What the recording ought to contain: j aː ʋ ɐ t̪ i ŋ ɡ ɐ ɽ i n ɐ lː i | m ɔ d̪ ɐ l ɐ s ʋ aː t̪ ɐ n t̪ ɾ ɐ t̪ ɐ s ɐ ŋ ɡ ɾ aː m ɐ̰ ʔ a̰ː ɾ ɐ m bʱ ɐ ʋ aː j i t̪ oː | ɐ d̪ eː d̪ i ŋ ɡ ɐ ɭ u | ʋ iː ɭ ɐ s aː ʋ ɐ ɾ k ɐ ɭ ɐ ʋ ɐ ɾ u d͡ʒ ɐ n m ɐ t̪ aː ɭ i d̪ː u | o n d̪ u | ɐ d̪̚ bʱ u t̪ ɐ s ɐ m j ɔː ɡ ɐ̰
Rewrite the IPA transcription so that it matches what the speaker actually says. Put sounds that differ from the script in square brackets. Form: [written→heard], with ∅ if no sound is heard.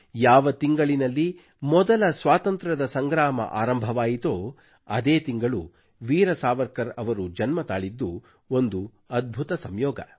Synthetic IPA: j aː ʋ ɐ t̪ i ŋ ɡ ɐ [ɽ→ɭ] i n ɐ lː i | m ɔ d̪ ɐ l ɐ s ʋ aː t̪ ɐ n t̪ ɾ ɐ [t̪→d̪] ɐ s ɐ ŋ ɡ ɾ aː m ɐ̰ ʔ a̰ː ɾ ɐ m bʱ ɐ ʋ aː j i t̪ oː | ɐ d̪ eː [d̪→t̪] i ŋ ɡ ɐ ɭ u | ʋ iː [ɭ→ɾ] ɐ s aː ʋ ɐ ɾ k ɐ [ɭ→ɾ] ɐ ʋ ɐ ɾ u d͡ʒ ɐ n m ɐ t̪ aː ɭ i d̪ː u | o n d̪ u | ɐ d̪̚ bʱ u t̪ ɐ s ɐ m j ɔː ɡ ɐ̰

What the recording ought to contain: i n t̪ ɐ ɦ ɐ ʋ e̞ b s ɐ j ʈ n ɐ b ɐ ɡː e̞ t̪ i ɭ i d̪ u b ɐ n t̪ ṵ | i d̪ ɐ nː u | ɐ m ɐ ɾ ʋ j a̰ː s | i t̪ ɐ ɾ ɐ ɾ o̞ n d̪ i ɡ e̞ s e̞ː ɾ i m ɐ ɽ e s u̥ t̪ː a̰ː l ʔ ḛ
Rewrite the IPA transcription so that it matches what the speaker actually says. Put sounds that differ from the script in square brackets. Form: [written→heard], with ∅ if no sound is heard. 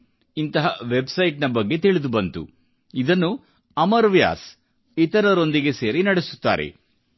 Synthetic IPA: i n t̪ ɐ ɦ ɐ ʋ e̞ b s ɐ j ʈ n ɐ b ɐ ɡː e̞ t̪ i ɭ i d̪ u b ɐ n t̪ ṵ | i d̪ ɐ nː u | ɐ m ɐ ɾ ʋ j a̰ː s | i t̪ ɐ ɾ ɐ ɾ o̞ n d̪ i ɡ e̞ s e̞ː ɾ i [m→n] ɐ ɽ e s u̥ t̪ː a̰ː [l→ɾ] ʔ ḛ

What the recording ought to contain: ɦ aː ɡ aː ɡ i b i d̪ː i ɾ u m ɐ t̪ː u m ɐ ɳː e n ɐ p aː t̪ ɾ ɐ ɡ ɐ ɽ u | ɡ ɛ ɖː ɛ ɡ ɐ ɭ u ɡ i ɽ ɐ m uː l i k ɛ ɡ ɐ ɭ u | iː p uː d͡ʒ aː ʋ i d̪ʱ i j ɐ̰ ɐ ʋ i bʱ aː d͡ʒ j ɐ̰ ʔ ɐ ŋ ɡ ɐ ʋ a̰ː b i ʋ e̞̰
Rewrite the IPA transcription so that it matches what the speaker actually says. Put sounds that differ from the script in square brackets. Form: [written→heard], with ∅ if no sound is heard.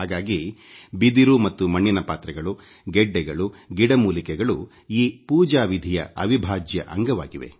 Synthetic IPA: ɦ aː ɡ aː ɡ i b i [d̪ː→d̪] i ɾ u m ɐ t̪ː u m ɐ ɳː [e→i] n ɐ p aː t̪ ɾ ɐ ɡ ɐ [ɽ→ɭ] u | ɡ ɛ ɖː ɛ ɡ ɐ ɭ u ɡ i ɽ ɐ m uː l i k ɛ ɡ ɐ ɭ u | iː p uː d͡ʒ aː ʋ i d̪ʱ i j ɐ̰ ɐ ʋ i bʱ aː d͡ʒ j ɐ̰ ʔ ɐ ŋ ɡ ɐ ʋ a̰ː [b→ɡ] i ʋ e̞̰

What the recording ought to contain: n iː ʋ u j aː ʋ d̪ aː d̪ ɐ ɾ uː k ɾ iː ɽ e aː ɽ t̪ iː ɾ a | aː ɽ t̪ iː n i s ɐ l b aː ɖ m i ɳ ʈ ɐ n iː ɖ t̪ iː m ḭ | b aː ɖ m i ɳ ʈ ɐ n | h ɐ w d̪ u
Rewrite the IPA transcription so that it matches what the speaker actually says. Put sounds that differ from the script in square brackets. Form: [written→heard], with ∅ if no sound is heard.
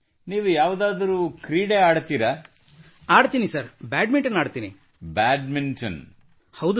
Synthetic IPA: n iː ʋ u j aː ʋ d̪ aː d̪ ɐ ɾ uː k ɾ iː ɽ e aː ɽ t̪ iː ɾ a | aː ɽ t̪ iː n i s ɐ [l→ɾ] b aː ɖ m i ɳ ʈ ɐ n [iː→aː] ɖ t̪ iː [m→n] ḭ | b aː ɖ m i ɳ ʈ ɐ n | h ɐ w d̪ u

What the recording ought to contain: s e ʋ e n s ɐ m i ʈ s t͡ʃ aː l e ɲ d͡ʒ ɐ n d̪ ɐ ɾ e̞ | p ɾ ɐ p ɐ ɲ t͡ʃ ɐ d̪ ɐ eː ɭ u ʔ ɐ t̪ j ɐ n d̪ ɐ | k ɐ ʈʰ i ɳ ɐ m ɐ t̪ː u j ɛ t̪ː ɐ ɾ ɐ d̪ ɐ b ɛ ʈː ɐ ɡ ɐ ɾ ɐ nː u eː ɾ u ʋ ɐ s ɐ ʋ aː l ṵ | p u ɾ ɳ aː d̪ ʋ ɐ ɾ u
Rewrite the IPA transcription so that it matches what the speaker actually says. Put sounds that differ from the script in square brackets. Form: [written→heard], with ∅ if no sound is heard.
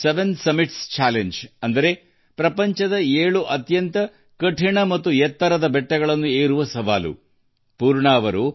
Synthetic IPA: s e ʋ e n s ɐ m i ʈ s t͡ʃ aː l e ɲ d͡ʒ ɐ n d̪ ɐ ɾ e̞ | p ɾ ɐ p ɐ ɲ t͡ʃ ɐ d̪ ɐ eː ɭ u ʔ ɐ t̪ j ɐ n [d̪→t̪] ɐ | k ɐ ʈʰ i ɳ ɐ m ɐ t̪ː u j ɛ t̪ː ɐ ɾ ɐ d̪ ɐ b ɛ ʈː ɐ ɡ ɐ [ɾ→ɭ] ɐ nː u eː ɾ u ʋ ɐ s ɐ ʋ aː l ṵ | p [u→uː] ɾ ɳ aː [d̪→∅] ʋ ɐ ɾ u

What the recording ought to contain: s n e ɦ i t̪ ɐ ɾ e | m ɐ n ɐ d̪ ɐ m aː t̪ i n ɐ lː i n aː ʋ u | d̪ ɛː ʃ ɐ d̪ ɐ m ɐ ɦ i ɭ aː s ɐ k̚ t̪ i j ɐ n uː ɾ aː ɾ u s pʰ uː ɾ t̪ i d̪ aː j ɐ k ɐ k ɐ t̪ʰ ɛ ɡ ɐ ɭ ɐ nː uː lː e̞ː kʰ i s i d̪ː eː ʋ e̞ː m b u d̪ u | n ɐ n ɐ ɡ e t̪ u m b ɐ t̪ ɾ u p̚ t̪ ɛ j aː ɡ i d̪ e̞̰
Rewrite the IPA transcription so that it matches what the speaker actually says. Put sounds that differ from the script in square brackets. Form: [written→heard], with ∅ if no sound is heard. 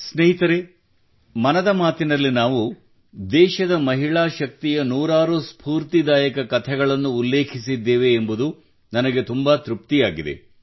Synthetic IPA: s n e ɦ i t̪ ɐ ɾ e | m ɐ n ɐ d̪ ɐ m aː t̪ i n ɐ lː i n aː ʋ u | d̪ ɛː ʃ ɐ d̪ ɐ m ɐ ɦ i ɭ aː [s→ʃ] ɐ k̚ t̪ i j ɐ n uː ɾ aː ɾ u s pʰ uː ɾ t̪ i d̪ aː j ɐ k ɐ k ɐ t̪ʰ ɛ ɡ ɐ ɭ ɐ nː uː lː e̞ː kʰ i s i d̪ː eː ʋ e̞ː m b u d̪ u | n ɐ n ɐ ɡ e t̪ u m b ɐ t̪ ɾ u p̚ t̪ [ɛ→i] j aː ɡ i d̪ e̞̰

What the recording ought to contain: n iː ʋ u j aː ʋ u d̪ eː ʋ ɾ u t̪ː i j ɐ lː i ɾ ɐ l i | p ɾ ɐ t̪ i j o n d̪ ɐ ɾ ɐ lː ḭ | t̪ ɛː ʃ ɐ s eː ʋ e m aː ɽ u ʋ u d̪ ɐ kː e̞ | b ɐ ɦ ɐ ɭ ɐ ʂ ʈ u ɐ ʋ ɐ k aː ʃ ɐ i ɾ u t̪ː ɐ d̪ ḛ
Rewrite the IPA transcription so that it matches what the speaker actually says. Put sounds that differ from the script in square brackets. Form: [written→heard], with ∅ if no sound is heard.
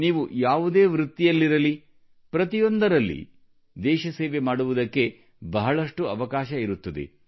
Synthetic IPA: n iː ʋ u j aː ʋ u d̪ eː ʋ ɾ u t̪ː i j ɐ lː i ɾ ɐ l i | p ɾ ɐ t̪ i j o n d̪ ɐ ɾ ɐ lː ḭ | [t̪→d̪] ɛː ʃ ɐ s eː ʋ e m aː ɽ u ʋ u d̪ ɐ kː e̞ | b ɐ ɦ ɐ ɭ ɐ ʂ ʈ u ɐ ʋ ɐ k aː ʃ ɐ i ɾ u t̪ː ɐ d̪ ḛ

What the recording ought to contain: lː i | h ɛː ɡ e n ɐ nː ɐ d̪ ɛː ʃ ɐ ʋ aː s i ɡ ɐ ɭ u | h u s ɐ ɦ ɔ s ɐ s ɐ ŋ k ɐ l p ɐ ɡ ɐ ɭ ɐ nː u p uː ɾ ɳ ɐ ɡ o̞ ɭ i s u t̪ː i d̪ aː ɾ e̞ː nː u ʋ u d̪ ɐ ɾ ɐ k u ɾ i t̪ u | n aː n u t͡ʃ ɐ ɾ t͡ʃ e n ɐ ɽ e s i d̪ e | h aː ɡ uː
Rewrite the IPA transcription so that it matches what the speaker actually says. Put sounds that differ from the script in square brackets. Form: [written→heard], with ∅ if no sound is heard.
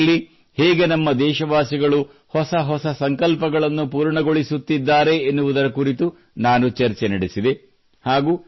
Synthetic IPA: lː i | h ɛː ɡ e n ɐ [nː→mː] ɐ d̪ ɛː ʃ ɐ ʋ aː s i ɡ ɐ ɭ u | h [u→ɔ] s ɐ ɦ ɔ s ɐ s ɐ ŋ k ɐ l p ɐ ɡ ɐ ɭ ɐ nː u p uː ɾ ɳ ɐ ɡ o̞ ɭ i s u t̪ː i [d̪→d̪ː] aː ɾ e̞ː nː u ʋ u d̪ ɐ ɾ ɐ k u ɾ i t̪ u | n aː n u t͡ʃ ɐ ɾ t͡ʃ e n ɐ ɽ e s i d̪ e | h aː ɡ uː

